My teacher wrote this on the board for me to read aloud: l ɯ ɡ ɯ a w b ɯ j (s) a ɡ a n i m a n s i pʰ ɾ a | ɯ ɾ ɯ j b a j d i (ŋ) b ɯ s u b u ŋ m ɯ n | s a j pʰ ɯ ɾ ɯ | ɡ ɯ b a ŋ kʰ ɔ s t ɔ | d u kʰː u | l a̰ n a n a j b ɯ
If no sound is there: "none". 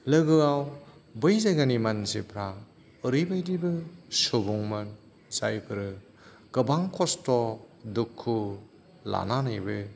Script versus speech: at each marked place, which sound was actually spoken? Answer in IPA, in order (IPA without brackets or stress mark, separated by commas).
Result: z, none